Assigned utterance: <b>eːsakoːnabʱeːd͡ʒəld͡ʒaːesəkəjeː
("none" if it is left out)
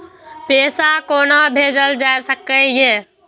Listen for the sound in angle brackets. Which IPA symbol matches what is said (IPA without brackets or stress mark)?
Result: p